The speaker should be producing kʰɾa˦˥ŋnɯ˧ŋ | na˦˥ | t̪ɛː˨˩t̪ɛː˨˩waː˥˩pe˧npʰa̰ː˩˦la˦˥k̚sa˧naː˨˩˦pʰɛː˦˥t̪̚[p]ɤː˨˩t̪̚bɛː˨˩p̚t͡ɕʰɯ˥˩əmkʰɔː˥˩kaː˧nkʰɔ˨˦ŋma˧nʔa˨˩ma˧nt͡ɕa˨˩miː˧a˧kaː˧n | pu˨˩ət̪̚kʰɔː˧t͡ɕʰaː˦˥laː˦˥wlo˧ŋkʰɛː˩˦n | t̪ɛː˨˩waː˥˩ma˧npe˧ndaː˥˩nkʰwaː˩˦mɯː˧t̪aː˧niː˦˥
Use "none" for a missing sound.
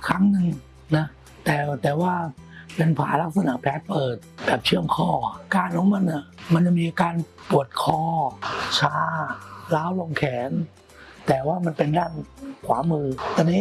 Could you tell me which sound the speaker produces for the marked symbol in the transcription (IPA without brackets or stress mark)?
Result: p